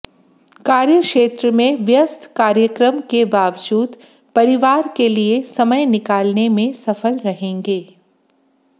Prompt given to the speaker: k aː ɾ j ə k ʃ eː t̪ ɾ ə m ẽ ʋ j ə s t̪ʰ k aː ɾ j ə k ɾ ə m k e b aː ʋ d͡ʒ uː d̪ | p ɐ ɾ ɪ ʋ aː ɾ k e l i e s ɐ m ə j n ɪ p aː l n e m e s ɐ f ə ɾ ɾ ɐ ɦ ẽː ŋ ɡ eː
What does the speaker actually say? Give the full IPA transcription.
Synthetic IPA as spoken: k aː ɾ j ə k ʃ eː t̪ ɾ ə m ẽ ʋ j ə s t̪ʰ k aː ɾ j ə k ɾ ə m k e b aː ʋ d͡ʒ uː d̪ | p ɐ ɾ ɪ ʋ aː ɾ k e l i e s ɐ m ə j n ɪ k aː l n e m ẽ s ɐ f ə l ɾ ɐ ɦ ẽː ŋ ɡ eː

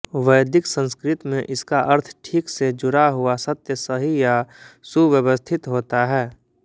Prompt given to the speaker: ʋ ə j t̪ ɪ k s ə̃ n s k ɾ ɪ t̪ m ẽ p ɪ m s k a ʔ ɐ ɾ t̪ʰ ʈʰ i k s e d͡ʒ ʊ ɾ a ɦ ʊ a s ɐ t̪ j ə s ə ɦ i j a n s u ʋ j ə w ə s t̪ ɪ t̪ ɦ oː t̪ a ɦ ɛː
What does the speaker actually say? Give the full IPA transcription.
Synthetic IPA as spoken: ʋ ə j d̪ ɪ k s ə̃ n s k ɾ ɪ t̪ m ẽ ʔ ɪ s k a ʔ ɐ ɾ t̪ʰ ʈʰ iː k s e d͡ʒ ʊ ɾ a ɦ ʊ a s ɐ t̪ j ə s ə ɦ i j a s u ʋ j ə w ə s t̪ʰ ɪ t̪ ɦ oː t̪ a ɦ ɛː

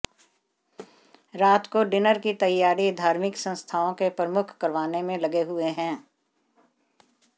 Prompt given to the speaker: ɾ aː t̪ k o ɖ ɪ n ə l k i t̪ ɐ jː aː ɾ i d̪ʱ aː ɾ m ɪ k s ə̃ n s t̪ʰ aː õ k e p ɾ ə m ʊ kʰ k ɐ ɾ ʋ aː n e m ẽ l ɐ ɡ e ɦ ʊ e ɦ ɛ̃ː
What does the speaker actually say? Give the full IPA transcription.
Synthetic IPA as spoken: ɾ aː t̪ k o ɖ ɪ n ə ɾ k i t̪ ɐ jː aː ɾ i d̪ʱ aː ɾ m ɪ k s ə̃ n s t̪ʰ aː õ k e p ɾ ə m ʊ kʰ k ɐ ɾ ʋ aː n e m ẽ l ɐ ɡ e ɦ ʊ e ɦ ɛ̃ː

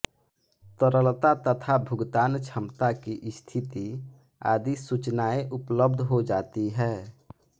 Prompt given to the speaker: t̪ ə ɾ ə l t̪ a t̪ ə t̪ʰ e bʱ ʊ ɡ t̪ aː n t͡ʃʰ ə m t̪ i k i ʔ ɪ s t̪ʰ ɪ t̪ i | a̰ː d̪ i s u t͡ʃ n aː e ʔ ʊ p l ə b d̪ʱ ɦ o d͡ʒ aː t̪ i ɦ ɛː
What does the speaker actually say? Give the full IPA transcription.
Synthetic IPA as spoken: t̪ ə ɾ ə l t̪ a t̪ ə t̪ʰ a bʱ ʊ ɡ t̪ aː n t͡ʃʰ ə m t̪ a k i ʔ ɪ s t̪ʰ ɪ t̪ i | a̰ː d̪ i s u t͡ʃ n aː e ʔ ʊ p l ə b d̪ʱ ɦ o d͡ʒ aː t̪ i ɦ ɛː

